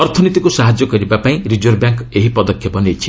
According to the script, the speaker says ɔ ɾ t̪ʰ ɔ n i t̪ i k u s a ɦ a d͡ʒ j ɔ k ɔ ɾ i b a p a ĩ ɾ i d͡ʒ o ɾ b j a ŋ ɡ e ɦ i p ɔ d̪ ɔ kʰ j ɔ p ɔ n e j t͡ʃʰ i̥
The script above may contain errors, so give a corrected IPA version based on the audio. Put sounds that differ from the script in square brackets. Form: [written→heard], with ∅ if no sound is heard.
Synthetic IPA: ɔ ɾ t̪ʰ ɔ n i t̪ i k u s a ɦ a d͡ʒ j ɔ k ɔ ɾ i b a p a ĩ ɾ i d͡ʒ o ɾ b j a ŋ [ɡ→k] e ɦ i p ɔ d̪ ɔ kʰ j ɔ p ɔ n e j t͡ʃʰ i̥